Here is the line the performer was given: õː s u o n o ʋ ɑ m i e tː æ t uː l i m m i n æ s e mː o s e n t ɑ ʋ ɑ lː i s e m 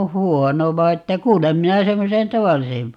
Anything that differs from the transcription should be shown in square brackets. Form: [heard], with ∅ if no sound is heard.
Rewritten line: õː [h] u o n o ʋ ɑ [∅] i e tː æ [k] uː l [e] m m i n æ s e mː o s e n t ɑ ʋ ɑ lː i s e m